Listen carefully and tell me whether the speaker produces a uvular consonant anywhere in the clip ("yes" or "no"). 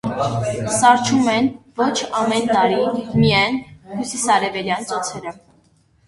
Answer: no